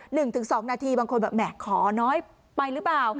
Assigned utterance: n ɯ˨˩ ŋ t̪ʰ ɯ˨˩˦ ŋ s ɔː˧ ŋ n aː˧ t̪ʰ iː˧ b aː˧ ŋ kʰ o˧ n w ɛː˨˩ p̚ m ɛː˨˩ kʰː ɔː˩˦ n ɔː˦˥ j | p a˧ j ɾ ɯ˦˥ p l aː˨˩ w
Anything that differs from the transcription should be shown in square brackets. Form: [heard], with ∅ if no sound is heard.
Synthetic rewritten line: n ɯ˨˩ ŋ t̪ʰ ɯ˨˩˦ ŋ s [ɔː˩˦] ŋ n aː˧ t̪ʰ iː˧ b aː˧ ŋ kʰ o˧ n [b] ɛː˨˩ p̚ m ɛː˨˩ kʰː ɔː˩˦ n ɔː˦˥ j | p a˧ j ɾ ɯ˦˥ p l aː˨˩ w